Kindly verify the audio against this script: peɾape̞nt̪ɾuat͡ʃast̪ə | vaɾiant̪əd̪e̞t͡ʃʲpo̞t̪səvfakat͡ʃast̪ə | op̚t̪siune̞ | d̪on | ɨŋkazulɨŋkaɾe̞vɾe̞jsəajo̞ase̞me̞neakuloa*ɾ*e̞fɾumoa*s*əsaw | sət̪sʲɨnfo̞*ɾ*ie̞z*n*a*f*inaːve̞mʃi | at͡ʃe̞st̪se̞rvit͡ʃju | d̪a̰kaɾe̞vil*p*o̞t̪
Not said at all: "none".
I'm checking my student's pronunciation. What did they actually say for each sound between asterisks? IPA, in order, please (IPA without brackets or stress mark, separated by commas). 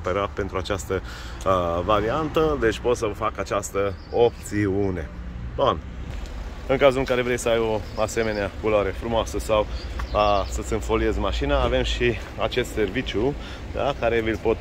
ɾ, s, l, m, ʃ, p